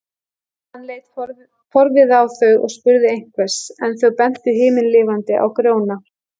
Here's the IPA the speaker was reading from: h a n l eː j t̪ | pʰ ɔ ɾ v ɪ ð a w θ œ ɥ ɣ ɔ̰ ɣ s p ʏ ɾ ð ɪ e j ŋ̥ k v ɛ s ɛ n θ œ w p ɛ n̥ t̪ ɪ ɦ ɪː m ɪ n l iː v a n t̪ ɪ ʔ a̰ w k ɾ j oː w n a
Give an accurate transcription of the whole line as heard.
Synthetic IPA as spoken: h a n l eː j t̪ | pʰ ɔ ɾ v ɪ ð a w θ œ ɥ ɣ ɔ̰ ɣ s p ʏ ɾ ð ɪ e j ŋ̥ k v ɛ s ɛ n θ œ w p ɛ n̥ t̪ ɪ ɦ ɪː m ɪ n l ɪː v a n t̪ ɪ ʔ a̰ w k ɾ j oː w n a

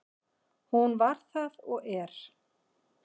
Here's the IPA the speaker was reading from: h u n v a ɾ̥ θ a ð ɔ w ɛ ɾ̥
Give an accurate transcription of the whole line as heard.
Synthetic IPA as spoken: h u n v a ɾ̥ θ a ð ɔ ɣ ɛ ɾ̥

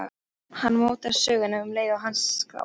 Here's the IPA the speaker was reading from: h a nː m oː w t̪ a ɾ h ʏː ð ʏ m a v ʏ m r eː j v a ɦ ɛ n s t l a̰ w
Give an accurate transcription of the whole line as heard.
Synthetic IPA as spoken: h a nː m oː w t̪ a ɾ s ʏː ɣ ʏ n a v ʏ m l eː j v a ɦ a n s k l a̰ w

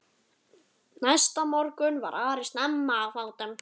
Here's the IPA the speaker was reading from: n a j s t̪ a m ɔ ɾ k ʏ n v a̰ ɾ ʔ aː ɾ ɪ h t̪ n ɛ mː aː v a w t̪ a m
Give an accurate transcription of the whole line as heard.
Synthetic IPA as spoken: n a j s t̪ a m ɔ ɾ k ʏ n v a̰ ɾ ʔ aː ɾ ɪ s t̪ n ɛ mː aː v a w t̪ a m

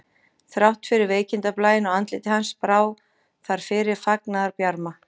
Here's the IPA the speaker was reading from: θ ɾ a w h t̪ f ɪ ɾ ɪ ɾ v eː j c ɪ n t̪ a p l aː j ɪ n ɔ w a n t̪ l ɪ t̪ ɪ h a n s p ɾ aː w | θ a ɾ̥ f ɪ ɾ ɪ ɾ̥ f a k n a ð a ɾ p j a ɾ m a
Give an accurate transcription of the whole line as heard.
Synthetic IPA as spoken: θ ɾ a w h t̪ f ɪ ɾ ɪ ɾ v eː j c ɪ n t̪ a p l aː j ɪ n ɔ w a n t̪ l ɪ t̪ ɪ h a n s p ɾ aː w | θ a ɾ̥ f ɪ ɾ ɪ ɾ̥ f a k n a ð a ɾ p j a ɾ m a

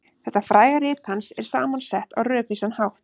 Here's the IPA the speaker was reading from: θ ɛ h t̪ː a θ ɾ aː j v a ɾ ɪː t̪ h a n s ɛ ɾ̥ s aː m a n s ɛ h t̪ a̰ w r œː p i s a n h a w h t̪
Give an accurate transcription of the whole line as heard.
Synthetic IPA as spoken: θ ɛ h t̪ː a f ɾ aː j ɣ a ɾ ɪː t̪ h a n s ɛ ɾ̥ s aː m a n s ɛ h t̪ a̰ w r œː p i s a n h a w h t̪

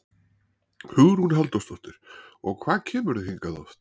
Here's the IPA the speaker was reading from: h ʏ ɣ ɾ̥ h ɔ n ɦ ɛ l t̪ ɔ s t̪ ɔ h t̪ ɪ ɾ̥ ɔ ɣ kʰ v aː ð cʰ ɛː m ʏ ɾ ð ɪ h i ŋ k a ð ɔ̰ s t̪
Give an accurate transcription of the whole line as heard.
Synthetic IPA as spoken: h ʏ ɣ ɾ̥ h u n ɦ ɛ l t̪ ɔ s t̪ ɔ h t̪ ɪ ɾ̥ ɔ ɣ kʰ v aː ð cʰ ɛː m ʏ ɾ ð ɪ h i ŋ k a ð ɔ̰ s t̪

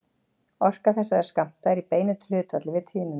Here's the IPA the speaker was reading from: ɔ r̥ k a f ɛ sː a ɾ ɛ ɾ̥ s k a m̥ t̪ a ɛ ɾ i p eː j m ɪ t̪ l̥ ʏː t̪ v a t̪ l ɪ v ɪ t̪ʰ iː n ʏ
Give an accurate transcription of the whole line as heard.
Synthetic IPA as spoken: ɔ r̥ k a θ ɛ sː a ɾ ɛ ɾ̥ s k a m̥ t̪ a ɛ ɾ i p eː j n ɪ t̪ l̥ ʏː t̪ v a t̪ l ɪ v ɪ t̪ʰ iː n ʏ

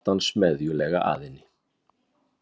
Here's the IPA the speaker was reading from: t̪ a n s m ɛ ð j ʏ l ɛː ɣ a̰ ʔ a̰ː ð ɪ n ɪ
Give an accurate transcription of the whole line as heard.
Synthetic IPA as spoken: t̪ a n s m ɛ ð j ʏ l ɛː ɣ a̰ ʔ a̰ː ð ɪ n ɪ

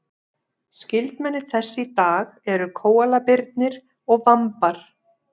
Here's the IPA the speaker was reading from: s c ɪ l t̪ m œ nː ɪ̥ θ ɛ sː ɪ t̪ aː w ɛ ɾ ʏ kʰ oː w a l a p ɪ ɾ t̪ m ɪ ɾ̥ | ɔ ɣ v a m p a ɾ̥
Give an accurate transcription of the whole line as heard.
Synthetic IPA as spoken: s c ɪ l t̪ m ɛ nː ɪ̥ θ ɛ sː ɪ t̪ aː ɣ ɛ ɾ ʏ kʰ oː w a l a p ɪ ɾ t̪ n ɪ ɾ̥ | ɔ ɣ v a m p a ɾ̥

